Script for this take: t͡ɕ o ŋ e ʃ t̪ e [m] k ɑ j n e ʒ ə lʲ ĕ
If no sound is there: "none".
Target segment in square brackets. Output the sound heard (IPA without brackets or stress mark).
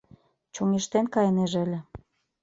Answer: n